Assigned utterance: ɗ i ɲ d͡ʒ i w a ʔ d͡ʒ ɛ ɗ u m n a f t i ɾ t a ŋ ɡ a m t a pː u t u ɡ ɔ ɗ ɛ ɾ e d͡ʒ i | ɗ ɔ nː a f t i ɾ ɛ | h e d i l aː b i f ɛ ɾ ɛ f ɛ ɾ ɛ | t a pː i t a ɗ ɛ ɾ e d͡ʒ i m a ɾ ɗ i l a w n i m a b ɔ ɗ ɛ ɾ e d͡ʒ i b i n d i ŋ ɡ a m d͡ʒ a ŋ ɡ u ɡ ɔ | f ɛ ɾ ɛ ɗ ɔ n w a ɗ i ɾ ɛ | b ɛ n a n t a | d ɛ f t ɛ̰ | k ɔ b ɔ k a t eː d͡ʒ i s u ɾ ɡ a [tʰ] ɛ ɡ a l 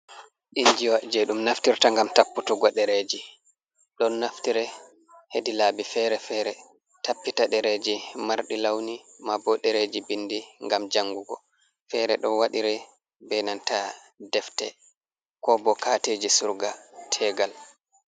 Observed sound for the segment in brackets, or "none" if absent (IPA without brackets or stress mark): tʰ